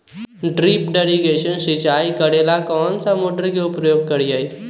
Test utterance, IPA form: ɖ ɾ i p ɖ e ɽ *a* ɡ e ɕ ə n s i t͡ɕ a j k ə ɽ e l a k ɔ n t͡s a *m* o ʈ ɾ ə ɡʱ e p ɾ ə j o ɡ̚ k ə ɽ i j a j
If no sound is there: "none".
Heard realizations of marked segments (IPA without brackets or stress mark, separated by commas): i, m